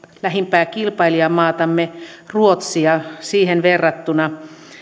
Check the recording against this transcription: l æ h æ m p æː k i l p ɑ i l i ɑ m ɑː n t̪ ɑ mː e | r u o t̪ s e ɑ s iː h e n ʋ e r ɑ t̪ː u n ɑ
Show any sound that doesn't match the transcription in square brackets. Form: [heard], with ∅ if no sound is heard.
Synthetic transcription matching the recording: l æ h [i] m p æː k i l p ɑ i l i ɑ m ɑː [∅] t̪ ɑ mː e | r u o t̪ s [i] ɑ s iː h e n ʋ e [rː] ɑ t̪ː u n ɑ